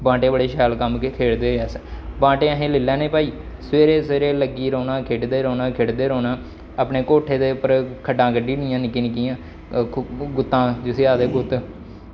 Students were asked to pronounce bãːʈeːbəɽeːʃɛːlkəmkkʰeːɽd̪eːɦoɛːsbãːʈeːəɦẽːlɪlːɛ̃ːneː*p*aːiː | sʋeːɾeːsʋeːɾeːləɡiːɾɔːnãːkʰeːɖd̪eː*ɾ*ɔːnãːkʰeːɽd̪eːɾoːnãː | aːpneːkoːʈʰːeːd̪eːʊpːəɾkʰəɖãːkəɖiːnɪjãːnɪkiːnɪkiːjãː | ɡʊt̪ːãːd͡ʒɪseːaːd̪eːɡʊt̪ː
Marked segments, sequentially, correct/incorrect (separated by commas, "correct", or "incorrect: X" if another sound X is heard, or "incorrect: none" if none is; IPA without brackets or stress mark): correct, correct